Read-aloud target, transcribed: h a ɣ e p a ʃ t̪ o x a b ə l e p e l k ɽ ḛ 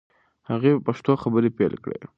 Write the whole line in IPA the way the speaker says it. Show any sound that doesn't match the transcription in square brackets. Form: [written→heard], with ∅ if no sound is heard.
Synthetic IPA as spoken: h a ɣ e p a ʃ t̪ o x a b ə [l→ɾ] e p e l k ɽ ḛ